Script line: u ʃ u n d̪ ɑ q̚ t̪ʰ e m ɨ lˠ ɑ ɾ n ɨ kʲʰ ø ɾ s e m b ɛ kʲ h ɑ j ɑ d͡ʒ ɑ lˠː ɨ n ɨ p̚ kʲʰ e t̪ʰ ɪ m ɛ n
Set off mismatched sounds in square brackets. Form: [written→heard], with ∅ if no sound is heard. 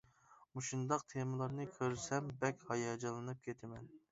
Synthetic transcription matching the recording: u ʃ u n d̪ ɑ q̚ t̪ʰ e m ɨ lˠ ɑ ɾ n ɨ kʲʰ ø ɾ s [e→ɛ] m b ɛ kʲ h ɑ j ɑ d͡ʒ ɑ [lˠː→lˠ] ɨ n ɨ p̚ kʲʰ e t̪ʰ ɪ m ɛ n

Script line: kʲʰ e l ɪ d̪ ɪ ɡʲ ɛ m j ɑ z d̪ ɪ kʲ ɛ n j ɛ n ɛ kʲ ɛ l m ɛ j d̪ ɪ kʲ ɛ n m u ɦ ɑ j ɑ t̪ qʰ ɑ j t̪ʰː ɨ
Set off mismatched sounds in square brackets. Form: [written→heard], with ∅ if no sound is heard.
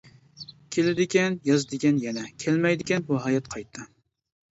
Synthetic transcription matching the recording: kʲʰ e l ɪ d̪ ɪ [ɡʲ→kʲ] ɛ [m→n] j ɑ z d̪ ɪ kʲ ɛ n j ɛ n ɛ [kʲ→kʲʰ] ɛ l m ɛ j d̪ ɪ kʲ ɛ n [m→b] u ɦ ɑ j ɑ t̪ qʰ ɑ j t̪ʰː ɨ

